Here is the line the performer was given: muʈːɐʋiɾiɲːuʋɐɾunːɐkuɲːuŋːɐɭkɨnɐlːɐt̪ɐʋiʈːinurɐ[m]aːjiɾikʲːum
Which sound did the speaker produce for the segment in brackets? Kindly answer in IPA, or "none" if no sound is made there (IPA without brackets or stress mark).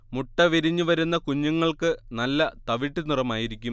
m